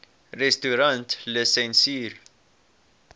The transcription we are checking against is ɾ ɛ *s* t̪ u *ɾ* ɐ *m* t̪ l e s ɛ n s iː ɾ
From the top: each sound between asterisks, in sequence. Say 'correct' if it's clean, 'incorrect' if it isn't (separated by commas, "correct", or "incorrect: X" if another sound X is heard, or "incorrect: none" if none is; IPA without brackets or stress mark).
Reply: correct, correct, incorrect: n